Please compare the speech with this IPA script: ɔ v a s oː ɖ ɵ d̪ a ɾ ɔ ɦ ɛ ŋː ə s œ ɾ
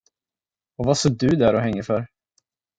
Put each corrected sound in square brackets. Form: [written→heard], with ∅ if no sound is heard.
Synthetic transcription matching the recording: ɔ v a s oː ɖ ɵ d̪ [a→æ] ɾ ɔ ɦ ɛ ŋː ə [s→f] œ ɾ